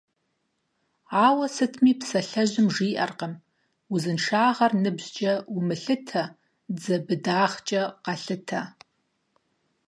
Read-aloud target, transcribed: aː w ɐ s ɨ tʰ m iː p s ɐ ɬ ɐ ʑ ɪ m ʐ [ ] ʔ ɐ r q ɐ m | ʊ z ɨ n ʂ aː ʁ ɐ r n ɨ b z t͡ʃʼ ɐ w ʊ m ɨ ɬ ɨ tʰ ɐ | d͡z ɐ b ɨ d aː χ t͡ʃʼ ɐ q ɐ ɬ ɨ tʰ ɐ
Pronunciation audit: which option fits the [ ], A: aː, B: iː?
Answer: B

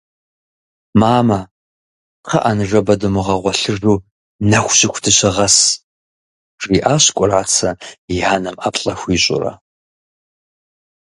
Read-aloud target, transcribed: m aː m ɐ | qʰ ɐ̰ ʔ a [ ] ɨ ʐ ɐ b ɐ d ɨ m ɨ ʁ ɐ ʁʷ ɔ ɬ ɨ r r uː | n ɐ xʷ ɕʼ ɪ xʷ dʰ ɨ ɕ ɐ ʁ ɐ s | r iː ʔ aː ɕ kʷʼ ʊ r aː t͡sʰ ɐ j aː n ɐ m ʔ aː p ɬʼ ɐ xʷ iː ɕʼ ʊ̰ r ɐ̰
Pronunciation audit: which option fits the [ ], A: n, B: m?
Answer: A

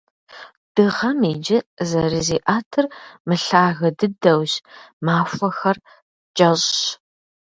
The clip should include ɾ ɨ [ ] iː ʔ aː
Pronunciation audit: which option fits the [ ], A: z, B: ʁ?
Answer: A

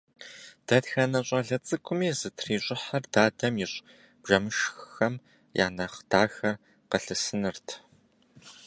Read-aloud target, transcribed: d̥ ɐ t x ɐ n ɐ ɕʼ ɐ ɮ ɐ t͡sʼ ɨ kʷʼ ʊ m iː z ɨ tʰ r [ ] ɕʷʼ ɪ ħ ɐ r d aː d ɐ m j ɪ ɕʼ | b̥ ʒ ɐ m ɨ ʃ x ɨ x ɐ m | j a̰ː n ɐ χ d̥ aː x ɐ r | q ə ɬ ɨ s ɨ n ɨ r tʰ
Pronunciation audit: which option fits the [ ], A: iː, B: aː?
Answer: A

